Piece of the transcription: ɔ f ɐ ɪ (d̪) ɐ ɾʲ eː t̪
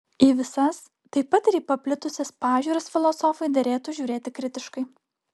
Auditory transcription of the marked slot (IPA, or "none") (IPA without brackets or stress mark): d̪